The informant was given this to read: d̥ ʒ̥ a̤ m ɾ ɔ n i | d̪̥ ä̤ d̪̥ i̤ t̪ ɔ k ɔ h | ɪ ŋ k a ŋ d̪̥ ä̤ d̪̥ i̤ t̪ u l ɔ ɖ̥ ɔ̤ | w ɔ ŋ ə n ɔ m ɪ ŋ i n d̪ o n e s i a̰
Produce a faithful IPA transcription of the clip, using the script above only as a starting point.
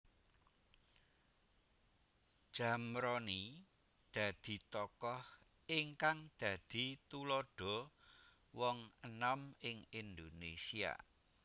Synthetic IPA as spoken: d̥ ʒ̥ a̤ m ɾ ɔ n i | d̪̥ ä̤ d̪̥ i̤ t̪ ɔ k ɔ h | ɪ ŋ k a ŋ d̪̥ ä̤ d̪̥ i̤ t̪ u l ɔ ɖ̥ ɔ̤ | w ɔ ŋ ə n ɔ m ɪ ŋ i n d̪ o n e s i a̰